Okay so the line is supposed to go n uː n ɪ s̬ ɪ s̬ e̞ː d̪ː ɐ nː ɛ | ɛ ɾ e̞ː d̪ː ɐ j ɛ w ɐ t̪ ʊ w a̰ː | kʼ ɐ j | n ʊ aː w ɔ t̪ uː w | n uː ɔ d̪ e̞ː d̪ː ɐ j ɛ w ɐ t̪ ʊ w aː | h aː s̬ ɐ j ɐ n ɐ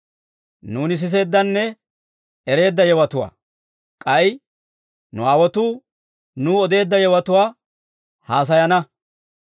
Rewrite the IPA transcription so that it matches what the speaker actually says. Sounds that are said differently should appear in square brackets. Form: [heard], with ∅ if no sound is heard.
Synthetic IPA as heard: n uː n ɪ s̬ ɪ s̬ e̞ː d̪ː ɐ nː ɛ | ɛ ɾ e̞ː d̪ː ɐ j ɛ w ɐ t̪ ʊ w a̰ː | kʼ ɐ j | n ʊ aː w ɔ t̪ uː [∅] | n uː ɔ d̪ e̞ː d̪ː ɐ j ɛ w ɐ t̪ ʊ w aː | h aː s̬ ɐ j ɐ n ɐ